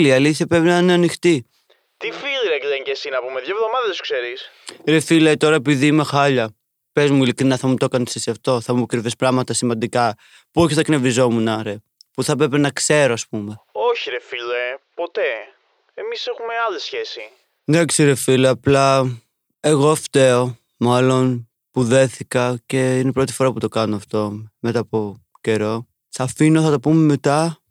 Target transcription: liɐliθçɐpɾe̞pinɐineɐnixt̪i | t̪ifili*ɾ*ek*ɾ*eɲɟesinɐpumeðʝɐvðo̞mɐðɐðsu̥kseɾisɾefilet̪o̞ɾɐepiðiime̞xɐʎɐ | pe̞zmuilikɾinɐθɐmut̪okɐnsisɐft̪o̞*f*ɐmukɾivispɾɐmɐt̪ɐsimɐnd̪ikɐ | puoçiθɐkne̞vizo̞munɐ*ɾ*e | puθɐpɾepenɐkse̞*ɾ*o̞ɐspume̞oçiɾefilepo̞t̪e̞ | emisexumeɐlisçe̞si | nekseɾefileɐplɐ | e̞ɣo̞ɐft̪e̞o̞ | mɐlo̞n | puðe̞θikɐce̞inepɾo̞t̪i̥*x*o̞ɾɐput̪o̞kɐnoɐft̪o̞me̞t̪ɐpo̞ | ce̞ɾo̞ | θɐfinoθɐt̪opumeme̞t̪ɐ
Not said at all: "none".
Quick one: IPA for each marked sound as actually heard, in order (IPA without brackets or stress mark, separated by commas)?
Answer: ɾ, l, θ, ɾ, ɾ, f